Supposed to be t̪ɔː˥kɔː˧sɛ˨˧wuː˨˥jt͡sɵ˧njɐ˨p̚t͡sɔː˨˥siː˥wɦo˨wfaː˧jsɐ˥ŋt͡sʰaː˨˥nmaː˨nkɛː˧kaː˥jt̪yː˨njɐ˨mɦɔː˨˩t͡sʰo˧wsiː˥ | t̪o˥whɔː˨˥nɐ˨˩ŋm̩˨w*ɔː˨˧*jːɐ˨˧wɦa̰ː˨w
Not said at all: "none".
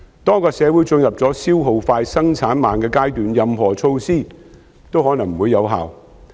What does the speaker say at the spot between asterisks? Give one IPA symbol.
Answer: uː˨˧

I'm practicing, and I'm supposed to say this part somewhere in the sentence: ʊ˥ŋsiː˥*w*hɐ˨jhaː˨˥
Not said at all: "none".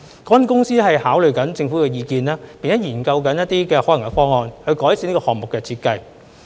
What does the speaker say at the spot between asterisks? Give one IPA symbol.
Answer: none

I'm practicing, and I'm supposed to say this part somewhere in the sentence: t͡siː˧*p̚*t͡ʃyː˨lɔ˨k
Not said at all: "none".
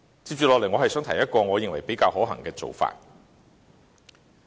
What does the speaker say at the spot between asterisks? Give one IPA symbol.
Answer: p̚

